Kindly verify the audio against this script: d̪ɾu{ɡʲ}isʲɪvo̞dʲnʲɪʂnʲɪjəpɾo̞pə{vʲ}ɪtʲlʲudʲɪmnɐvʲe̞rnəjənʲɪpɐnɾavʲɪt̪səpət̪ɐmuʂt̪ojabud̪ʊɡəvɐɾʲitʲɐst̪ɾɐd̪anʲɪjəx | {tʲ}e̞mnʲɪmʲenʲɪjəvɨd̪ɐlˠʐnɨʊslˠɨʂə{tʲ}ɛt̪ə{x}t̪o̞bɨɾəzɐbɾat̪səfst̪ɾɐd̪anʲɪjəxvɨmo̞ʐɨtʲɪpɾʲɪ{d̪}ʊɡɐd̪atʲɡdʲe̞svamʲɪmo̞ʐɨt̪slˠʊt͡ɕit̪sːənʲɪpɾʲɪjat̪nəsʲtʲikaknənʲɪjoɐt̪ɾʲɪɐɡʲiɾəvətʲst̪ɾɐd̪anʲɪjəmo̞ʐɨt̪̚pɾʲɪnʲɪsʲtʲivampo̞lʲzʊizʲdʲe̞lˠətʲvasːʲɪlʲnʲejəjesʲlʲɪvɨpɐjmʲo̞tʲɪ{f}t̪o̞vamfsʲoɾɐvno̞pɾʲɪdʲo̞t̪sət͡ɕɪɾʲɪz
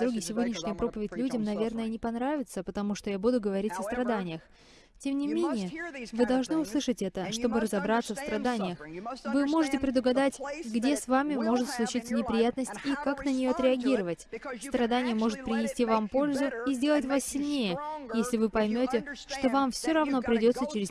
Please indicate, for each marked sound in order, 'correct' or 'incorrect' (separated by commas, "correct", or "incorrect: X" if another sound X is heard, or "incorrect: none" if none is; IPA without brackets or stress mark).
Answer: correct, correct, correct, correct, incorrect: ʂ, correct, incorrect: ʂ